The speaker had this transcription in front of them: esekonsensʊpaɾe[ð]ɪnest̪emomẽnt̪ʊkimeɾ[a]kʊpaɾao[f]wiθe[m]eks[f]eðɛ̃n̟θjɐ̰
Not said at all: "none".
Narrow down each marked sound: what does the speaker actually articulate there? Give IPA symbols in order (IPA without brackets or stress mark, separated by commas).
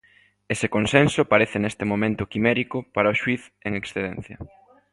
θ, i, ʃ, ŋ, θ